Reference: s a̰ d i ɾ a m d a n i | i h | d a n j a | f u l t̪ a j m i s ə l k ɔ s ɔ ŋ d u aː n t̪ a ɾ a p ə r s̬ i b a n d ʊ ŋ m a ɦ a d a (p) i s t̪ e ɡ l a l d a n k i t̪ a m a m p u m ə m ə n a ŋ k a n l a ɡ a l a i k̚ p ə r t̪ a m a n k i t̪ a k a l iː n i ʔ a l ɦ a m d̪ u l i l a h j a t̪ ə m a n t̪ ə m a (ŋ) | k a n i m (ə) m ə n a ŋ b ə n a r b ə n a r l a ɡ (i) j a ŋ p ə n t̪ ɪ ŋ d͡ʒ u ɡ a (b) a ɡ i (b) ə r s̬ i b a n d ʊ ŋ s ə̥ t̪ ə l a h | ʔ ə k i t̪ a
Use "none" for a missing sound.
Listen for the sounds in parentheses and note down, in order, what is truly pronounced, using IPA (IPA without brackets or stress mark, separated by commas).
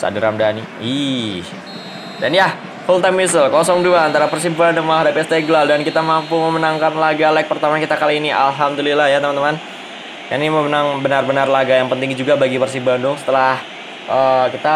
p, n, ə, a, b, p